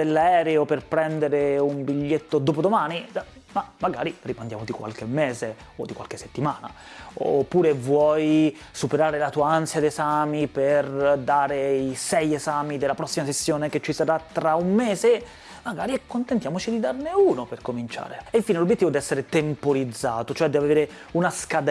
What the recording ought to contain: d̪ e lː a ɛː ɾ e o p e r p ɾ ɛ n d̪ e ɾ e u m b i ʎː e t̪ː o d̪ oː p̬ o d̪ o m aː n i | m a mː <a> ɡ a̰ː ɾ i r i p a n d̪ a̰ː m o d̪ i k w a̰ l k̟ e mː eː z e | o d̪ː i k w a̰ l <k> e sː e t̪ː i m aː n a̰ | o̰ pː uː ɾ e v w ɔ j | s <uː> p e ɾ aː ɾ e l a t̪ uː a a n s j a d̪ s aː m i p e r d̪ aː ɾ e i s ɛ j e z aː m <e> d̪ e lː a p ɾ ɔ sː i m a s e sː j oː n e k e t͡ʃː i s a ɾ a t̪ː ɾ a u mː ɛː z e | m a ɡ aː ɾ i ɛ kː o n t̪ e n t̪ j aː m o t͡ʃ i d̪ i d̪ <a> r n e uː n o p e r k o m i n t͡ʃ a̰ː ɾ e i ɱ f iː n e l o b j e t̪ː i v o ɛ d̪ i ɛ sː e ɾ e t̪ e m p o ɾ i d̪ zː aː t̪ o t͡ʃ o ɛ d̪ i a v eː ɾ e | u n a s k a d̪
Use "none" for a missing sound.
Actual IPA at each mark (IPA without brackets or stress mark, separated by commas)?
a, k, u, i, a